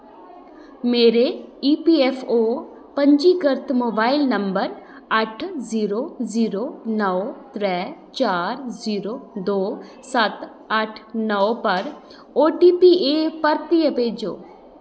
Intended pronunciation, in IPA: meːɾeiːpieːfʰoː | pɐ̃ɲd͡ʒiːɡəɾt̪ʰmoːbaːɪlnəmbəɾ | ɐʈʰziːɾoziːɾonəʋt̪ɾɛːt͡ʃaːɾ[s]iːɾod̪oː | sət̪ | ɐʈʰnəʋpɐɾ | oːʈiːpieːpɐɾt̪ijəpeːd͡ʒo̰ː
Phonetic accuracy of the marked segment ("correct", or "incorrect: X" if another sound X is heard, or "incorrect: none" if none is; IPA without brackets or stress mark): incorrect: z